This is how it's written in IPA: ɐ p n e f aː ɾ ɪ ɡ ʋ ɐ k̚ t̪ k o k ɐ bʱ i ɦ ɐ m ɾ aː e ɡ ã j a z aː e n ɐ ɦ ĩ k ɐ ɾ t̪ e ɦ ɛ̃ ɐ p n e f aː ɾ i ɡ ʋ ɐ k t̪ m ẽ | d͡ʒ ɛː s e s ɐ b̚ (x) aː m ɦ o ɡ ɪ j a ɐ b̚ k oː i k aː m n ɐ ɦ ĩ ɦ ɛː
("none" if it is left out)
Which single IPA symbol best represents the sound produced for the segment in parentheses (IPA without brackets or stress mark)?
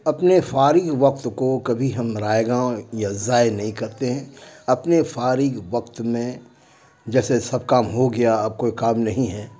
k